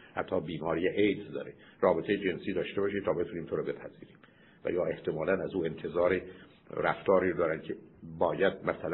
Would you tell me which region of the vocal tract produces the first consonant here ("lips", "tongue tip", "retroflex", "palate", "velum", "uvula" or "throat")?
throat